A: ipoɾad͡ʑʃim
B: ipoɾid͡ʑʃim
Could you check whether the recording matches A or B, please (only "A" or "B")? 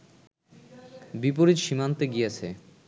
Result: B